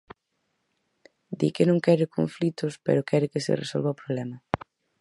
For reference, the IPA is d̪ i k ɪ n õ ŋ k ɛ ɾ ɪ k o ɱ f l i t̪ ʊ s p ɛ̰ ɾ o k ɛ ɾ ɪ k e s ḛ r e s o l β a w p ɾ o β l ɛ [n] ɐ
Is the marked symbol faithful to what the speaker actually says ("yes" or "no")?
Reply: no